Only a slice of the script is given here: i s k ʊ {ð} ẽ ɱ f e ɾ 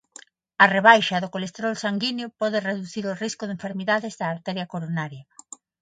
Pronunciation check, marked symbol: correct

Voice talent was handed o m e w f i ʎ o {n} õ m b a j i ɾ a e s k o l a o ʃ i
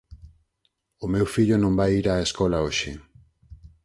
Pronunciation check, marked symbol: correct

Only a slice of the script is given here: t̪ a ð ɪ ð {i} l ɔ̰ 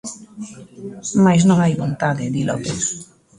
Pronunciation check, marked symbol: correct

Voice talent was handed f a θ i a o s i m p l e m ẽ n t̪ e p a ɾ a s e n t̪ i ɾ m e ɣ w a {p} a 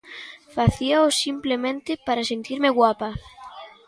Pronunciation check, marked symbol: correct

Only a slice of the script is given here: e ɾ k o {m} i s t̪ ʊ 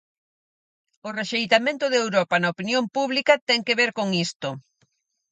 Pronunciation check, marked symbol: incorrect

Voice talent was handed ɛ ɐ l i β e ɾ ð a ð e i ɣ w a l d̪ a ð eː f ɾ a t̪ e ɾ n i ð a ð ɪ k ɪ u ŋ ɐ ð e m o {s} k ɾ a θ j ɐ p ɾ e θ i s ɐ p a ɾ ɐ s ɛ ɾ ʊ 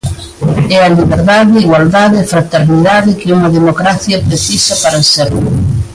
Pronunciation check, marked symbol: incorrect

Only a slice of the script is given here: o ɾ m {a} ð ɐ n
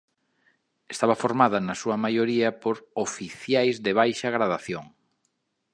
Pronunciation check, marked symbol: correct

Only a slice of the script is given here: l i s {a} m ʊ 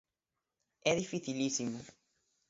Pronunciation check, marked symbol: incorrect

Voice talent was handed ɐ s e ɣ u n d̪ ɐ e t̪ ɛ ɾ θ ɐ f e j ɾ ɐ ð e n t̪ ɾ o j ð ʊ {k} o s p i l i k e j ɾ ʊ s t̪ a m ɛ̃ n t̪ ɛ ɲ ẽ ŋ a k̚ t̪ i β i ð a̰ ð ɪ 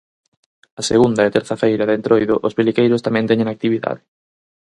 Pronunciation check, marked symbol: incorrect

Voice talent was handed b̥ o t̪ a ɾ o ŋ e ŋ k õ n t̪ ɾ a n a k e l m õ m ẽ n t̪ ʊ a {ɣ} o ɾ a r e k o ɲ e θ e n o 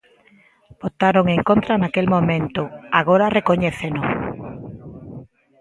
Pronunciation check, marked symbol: correct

